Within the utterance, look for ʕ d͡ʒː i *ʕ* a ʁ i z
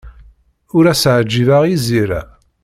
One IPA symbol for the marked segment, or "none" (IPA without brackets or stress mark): v